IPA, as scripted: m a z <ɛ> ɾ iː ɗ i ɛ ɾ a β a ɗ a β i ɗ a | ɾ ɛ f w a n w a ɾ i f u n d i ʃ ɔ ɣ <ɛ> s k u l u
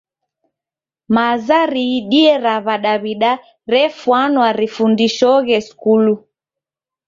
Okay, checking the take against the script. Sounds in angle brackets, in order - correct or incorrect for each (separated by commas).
incorrect, correct